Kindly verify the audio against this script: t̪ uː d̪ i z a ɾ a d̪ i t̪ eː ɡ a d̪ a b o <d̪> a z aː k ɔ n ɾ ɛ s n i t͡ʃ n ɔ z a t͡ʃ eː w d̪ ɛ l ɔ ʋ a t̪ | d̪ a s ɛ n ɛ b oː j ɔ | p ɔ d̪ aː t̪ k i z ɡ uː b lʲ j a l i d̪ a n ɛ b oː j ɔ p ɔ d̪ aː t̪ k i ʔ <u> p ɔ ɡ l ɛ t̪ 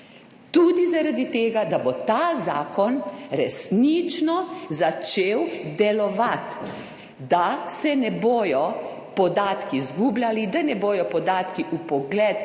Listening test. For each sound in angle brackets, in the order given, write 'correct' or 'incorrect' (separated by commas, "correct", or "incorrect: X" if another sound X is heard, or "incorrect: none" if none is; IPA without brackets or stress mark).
incorrect: t̪, correct